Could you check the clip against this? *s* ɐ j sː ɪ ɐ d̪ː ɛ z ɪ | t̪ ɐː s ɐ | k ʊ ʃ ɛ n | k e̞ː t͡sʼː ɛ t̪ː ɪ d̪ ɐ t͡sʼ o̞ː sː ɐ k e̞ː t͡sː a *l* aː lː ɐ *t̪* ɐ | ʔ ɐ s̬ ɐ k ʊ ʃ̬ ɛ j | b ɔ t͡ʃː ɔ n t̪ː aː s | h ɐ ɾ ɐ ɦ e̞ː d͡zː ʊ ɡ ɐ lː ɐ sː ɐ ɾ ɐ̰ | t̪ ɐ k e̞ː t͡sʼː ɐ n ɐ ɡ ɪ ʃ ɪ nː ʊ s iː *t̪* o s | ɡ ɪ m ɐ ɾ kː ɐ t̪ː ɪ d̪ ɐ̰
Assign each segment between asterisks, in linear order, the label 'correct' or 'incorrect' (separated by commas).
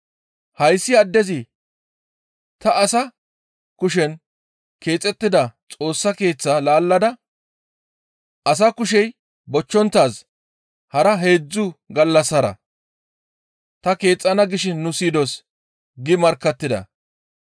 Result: incorrect, correct, incorrect, incorrect